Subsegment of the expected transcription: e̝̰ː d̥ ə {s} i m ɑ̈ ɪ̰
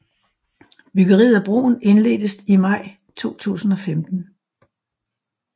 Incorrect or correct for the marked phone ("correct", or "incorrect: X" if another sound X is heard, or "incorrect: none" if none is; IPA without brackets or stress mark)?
correct